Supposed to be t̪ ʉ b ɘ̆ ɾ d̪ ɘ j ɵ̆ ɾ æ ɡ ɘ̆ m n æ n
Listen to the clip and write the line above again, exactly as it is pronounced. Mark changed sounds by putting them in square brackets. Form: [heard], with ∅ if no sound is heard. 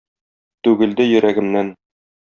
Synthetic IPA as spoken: t̪ ʉ [ɡ] ɘ̆ [l] d̪ ɘ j ɵ̆ ɾ æ ɡ ɘ̆ m n æ n

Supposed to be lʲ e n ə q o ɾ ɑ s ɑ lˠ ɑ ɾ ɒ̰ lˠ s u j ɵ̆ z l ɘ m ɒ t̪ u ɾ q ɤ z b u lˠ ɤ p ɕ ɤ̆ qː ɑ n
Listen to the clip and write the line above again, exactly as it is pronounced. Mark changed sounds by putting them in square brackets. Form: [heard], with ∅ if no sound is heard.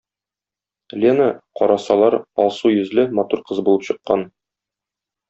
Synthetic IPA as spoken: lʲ e n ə q [ɒ] ɾ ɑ s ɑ lˠ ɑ ɾ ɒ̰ lˠ s u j ɵ̆ z l ɘ m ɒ t̪ u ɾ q ɤ z b u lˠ ɤ p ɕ ɤ̆ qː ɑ n

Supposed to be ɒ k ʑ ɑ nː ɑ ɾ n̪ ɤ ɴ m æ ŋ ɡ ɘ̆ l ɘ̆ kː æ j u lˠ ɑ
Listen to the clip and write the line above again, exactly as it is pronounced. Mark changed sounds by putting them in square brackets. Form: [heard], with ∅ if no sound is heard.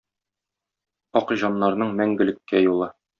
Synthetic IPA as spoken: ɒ [q] ʑ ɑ nː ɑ ɾ n̪ ɤ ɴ m æ ŋ ɡ ɘ̆ l ɘ̆ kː æ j u lˠ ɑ

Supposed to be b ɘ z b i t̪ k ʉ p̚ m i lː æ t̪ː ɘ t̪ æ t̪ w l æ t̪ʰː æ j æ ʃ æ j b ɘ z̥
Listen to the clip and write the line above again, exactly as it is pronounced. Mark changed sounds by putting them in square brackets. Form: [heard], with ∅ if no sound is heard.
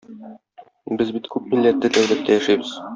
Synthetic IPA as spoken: b ɘ z b i t̪ k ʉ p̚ m i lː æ t̪ː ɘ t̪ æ [∅] w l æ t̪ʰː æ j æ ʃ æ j b ɘ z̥

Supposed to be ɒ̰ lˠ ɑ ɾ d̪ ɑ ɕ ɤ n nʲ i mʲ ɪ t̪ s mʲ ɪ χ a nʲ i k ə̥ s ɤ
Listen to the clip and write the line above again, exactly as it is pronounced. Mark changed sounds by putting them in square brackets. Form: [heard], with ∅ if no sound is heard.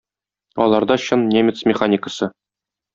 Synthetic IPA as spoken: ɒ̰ lˠ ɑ ɾ d̪ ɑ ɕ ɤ n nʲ [e] mʲ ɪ t̪ s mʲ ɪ χ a nʲ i k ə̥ s ɤ

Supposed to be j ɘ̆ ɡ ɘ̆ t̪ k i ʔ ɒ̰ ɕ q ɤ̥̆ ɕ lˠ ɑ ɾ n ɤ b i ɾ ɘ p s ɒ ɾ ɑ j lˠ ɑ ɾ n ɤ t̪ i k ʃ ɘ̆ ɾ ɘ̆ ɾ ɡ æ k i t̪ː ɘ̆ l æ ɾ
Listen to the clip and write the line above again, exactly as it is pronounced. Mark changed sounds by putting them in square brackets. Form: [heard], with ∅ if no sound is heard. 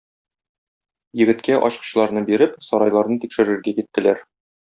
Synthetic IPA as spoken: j ɘ̆ ɡ ɘ̆ t̪ k [æ] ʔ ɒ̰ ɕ q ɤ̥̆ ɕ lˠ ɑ ɾ n ɤ b i ɾ ɘ p s ɒ ɾ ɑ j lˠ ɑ ɾ n ɤ t̪ i k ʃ ɘ̆ ɾ ɘ̆ ɾ ɡ æ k i t̪ː ɘ̆ l æ ɾ

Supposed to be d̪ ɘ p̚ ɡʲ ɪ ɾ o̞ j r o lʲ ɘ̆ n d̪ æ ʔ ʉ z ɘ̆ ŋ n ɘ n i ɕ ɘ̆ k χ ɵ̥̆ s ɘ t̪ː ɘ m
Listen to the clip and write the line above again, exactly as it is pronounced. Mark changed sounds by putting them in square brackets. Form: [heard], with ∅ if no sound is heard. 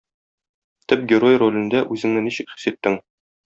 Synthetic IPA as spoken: [t̪] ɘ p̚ ɡʲ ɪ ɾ o̞ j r o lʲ ɘ̆ n d̪ æ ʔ ʉ z ɘ̆ ŋ n ɘ n i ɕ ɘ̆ k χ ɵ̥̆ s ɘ t̪ː ɘ [ŋ]

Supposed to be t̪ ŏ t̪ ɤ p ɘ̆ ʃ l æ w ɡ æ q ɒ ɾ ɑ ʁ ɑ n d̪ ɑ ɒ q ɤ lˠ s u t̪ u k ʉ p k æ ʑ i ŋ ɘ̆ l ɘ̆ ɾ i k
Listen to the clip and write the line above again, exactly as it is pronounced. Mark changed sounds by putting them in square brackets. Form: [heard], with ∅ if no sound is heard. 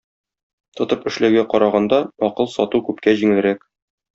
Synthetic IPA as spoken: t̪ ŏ t̪ ɤ p ɘ̆ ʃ l æ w ɡ æ q ɒ ɾ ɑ ʁ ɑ n d̪ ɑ ɒ q ɤ lˠ s [ɒ] t̪ u k ʉ p k æ ʑ i ŋ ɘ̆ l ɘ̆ ɾ [æ] k

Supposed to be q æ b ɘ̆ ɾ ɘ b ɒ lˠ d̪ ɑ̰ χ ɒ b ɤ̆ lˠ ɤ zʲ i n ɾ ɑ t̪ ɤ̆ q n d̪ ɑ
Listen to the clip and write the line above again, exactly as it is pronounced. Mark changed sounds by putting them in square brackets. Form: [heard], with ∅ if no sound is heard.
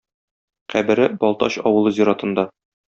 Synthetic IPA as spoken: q æ b ɘ̆ ɾ ɘ b ɒ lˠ [t̪] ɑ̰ [ɕ] ɒ [w] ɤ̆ lˠ ɤ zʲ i [∅] ɾ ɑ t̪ ɤ̆ [∅] n d̪ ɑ

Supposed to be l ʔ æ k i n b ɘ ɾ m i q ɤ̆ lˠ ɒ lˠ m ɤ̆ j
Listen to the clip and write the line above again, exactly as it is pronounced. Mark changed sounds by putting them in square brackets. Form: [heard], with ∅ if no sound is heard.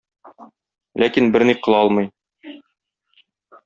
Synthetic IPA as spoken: l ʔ æ k i n b ɘ ɾ [n] i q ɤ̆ lˠ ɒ lˠ m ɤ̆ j

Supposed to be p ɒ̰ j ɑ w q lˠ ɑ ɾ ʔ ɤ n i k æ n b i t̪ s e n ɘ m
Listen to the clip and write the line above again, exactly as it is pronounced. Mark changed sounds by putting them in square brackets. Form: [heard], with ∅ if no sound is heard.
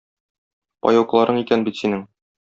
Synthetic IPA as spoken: p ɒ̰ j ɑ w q lˠ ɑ ɾ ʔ ɤ [ɴ] i k æ n b i t̪ s [i] n ɘ [ŋ]

